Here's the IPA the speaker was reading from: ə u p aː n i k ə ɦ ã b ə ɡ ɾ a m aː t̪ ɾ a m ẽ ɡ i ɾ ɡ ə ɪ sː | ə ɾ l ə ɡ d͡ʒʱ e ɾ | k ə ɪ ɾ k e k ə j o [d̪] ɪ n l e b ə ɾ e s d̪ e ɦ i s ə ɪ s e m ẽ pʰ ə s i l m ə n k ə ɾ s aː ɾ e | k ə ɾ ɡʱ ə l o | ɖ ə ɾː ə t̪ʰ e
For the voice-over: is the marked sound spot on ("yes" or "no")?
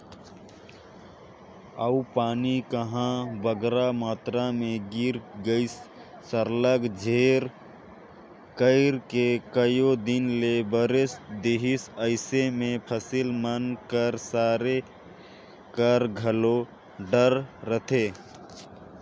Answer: yes